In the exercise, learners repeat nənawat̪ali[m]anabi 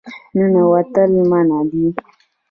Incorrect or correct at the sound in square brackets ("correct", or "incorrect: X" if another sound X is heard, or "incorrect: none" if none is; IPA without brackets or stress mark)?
correct